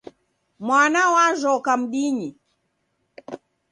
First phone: m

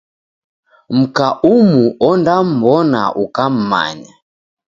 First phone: m̩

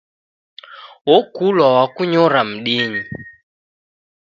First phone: w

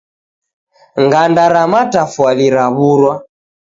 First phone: ŋ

